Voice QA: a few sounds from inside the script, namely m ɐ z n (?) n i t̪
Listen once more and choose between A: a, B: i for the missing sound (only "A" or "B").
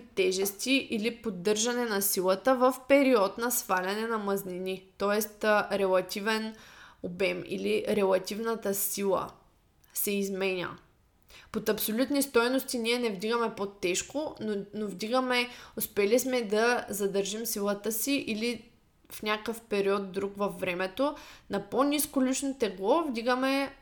B